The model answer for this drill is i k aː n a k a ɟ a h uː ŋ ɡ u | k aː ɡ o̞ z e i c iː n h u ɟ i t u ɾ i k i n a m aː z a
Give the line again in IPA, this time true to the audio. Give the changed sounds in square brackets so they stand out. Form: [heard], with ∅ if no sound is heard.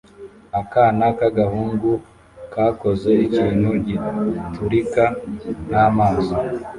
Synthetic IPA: [a] k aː n a k a [ɡ] a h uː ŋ ɡ u | k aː [k] o̞ z e i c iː n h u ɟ i t u ɾ i k [a] n a m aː z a